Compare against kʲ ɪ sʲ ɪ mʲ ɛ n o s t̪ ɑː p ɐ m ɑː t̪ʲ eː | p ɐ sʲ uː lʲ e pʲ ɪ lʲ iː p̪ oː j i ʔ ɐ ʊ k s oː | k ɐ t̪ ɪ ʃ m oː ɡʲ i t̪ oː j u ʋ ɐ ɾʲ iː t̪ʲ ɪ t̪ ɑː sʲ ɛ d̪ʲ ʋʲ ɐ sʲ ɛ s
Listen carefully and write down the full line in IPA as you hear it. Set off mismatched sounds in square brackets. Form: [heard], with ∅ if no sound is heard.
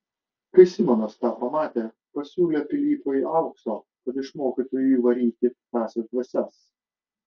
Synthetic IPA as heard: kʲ ɪ sʲ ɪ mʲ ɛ n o s t̪ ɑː p ɐ m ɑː t̪ʲ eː | p ɐ sʲ uː lʲ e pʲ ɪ lʲ iː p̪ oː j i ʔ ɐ ʊ k s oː | k ɐ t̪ ɪ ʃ m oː [kʲ] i t̪ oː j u ʋ ɐ ɾʲ iː t̪ʲ ɪ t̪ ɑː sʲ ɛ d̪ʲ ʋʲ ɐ sʲ ɛ s